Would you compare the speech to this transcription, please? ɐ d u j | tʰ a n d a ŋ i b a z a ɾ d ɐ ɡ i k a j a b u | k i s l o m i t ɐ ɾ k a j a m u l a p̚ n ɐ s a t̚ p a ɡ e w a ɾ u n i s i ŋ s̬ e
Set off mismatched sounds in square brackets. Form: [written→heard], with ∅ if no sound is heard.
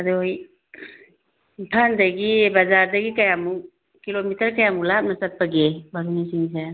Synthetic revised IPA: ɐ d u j | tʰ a n d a [ŋ→ɡ] i b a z a ɾ d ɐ ɡ i k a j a [b→m] u | k i [s→∅] l o m i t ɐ ɾ k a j a m u l a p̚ n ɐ s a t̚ p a ɡ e [w→b] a ɾ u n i s i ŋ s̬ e